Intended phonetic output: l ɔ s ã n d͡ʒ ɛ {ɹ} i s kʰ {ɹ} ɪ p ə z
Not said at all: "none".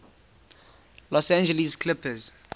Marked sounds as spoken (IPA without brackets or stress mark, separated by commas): l, l